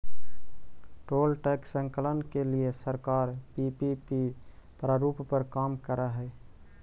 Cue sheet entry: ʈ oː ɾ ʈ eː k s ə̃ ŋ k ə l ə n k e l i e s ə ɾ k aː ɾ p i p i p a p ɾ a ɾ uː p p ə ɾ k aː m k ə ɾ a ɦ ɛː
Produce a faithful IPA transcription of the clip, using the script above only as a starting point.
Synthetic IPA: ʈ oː l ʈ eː k s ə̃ ŋ k ə l ə n k e l i e s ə ɾ k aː ɾ p i p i p i p ɾ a ɾ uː p p ə ɾ k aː m k ə ɾ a ɦ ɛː